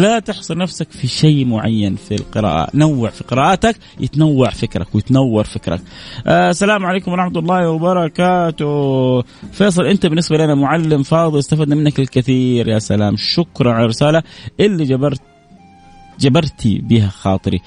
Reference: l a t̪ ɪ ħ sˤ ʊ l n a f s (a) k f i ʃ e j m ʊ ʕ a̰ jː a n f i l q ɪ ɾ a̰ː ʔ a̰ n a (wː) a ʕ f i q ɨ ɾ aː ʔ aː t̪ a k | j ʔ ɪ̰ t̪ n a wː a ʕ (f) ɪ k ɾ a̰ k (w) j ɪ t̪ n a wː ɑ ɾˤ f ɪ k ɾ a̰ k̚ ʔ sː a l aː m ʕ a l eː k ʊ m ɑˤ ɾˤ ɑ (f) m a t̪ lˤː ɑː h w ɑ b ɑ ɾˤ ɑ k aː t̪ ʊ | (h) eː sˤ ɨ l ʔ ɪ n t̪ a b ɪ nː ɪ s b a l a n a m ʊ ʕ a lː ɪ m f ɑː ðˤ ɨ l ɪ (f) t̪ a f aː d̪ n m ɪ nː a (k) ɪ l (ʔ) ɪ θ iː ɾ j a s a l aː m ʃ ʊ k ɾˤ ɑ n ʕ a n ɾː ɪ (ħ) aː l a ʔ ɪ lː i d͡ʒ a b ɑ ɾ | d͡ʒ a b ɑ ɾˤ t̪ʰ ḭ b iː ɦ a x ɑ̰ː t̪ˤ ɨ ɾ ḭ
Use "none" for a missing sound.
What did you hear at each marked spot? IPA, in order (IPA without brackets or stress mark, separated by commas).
a, wː, f, w, ħ, f, s, k, k, s